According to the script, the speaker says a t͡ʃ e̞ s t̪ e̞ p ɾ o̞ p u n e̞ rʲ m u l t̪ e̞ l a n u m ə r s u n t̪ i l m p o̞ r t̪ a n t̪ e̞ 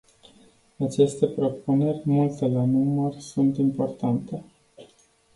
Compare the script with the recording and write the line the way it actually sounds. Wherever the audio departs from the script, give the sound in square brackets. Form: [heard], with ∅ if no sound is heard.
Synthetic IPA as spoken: a t͡ʃ e̞ s t̪ e̞ p ɾ o̞ p u n e̞ rʲ m u l t̪ e̞ l a n u m ə r s u n t̪ i [∅] m p o̞ r t̪ a n t̪ e̞

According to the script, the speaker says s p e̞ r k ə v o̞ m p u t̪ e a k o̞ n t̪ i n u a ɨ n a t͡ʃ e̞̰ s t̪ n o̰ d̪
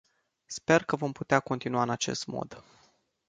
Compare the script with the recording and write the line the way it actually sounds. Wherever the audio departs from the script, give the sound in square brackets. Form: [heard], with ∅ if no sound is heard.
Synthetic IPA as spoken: s p e̞ r k ə v o̞ m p u t̪ e a k o̞ n t̪ i n u a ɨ n a t͡ʃ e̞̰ s t̪ [m] o̰ d̪

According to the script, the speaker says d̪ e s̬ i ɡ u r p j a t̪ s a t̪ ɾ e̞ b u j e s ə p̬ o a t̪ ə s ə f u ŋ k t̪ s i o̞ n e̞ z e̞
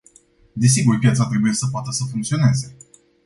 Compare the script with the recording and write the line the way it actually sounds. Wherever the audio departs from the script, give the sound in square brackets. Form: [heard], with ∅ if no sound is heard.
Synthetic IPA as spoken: d̪ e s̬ i ɡ u r p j a t̪ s a t̪ ɾ e̞ b u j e s ə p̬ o a t̪ ə s ə f u ŋ k t̪ s i o̞ n e̞ z e̞

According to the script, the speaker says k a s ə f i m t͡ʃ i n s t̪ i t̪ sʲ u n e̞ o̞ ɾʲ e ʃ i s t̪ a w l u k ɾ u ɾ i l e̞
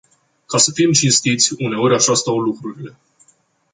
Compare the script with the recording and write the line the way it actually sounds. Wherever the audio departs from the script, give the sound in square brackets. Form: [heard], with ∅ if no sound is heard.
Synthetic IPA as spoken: k a s ə f i m t͡ʃ i n s t̪ i t̪ sʲ u n e̞ o̞ ɾʲ [a] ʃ [a] s t̪ a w l u k ɾ u ɾ i l e̞

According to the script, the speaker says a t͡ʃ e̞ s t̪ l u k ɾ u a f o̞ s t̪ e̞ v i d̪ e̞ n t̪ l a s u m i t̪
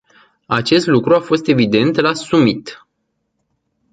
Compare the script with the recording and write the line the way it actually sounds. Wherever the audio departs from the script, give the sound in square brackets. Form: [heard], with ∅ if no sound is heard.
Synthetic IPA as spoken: a t͡ʃ e̞ s t̪ l u k ɾ u a f o̞ s t̪ e̞ v i d̪ e̞ n t̪ l a s u m i t̪

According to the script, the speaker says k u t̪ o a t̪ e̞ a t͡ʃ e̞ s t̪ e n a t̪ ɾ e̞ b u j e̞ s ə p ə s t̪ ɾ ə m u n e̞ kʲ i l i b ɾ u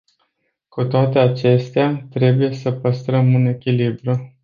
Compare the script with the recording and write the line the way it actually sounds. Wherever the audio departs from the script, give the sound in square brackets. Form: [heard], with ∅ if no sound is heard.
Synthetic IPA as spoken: k u t̪ o a t̪ e̞ a t͡ʃ e̞ s t̪ e [∅] a t̪ ɾ e̞ b u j e̞ s ə p ə s t̪ ɾ ə m u n e̞ kʲ i l i b ɾ u

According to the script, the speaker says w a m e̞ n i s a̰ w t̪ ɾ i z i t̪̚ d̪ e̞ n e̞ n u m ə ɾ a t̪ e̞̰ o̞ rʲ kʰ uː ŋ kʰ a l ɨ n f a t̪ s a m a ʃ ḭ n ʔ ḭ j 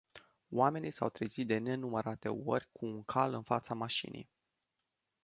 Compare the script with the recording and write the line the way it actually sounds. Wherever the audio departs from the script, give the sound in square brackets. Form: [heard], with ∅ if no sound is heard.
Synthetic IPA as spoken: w a m e̞ n i s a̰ w t̪ ɾ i z i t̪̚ d̪ e̞ n e̞ n u m ə ɾ a t̪ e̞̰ o̞ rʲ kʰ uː ŋ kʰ a l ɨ n f a t̪ s a m a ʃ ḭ n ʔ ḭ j

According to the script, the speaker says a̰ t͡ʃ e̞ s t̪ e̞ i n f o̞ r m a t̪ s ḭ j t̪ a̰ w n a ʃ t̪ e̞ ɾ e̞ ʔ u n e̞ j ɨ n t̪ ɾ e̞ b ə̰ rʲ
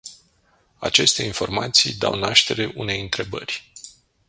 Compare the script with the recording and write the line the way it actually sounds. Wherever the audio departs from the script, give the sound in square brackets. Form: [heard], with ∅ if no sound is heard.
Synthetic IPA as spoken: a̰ t͡ʃ e̞ s t̪ e̞ i n f o̞ r m a t̪ s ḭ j [d̪] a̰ w n a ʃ t̪ e̞ ɾ e̞ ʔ u n e̞ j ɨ n t̪ ɾ e̞ b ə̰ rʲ

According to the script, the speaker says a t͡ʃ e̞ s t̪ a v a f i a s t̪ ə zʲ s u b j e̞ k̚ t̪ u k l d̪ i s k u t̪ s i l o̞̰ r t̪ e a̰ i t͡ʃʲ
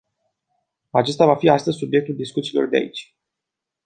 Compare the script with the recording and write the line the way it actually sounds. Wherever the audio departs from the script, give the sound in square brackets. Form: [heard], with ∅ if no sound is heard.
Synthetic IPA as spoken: a t͡ʃ e̞ s t̪ a v a f i a s t̪ ə zʲ s u b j e̞ k̚ t̪ u [∅] l d̪ i s k u t̪ s i l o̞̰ r [d̪] e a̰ i t͡ʃʲ

